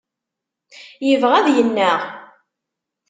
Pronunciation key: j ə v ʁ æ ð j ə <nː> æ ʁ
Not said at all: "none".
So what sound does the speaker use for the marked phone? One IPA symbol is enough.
nː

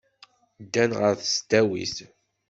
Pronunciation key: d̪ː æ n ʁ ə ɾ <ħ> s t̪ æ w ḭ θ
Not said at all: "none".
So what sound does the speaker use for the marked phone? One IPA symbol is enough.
θ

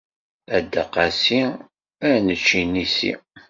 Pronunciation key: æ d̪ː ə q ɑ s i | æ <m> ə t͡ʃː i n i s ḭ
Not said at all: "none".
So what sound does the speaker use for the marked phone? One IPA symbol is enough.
n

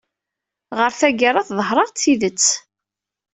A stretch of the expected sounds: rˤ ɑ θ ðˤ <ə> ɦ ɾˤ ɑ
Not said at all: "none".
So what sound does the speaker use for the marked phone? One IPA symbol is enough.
ə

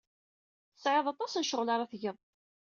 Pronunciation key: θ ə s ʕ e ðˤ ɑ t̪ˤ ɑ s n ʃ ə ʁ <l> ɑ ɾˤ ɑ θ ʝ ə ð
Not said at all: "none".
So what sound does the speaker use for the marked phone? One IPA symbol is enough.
l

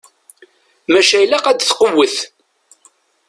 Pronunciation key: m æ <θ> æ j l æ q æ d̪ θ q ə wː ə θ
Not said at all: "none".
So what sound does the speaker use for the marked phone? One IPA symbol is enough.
ʃ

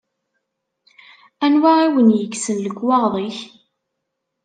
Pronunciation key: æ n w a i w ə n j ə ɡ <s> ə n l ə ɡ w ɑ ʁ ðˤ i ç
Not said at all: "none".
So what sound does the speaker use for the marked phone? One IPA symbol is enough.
s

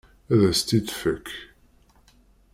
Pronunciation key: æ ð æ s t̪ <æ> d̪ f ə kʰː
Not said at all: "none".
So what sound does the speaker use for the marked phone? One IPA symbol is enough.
i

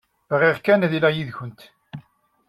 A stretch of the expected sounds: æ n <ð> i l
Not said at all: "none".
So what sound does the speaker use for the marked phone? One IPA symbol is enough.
ð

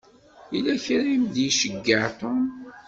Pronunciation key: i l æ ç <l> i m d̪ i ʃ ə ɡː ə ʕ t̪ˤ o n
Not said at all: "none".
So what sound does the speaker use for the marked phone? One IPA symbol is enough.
ɾ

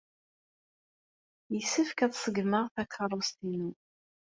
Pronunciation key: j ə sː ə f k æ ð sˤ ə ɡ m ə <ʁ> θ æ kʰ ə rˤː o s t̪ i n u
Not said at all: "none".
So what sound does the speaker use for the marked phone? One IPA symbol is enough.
ʁ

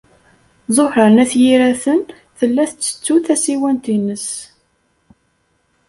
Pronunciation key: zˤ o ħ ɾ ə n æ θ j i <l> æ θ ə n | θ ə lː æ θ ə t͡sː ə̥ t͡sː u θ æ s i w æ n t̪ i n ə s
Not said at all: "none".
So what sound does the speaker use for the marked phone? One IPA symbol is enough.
ɾ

